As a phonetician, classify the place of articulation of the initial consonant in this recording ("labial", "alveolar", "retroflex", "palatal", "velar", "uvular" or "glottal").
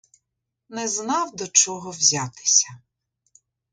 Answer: alveolar